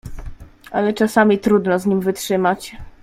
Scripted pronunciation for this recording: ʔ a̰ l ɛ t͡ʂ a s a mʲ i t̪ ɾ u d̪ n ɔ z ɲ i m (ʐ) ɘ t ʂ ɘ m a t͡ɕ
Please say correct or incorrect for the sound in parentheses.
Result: incorrect